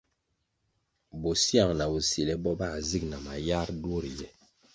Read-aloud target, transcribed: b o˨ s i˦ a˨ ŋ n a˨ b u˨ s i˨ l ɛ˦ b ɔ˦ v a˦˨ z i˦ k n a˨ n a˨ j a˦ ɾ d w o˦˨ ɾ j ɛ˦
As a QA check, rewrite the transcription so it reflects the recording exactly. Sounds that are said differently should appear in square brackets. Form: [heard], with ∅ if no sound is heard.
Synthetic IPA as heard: b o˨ s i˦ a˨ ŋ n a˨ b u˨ s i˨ l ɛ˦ b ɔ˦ [b] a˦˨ z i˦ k n a˨ [m] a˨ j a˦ ɾ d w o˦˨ ɾ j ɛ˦